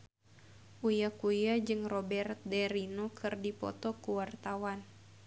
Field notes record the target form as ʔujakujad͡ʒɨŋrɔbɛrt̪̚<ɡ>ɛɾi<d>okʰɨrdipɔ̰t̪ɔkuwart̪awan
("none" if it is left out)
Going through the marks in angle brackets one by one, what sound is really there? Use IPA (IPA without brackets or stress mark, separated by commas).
d, n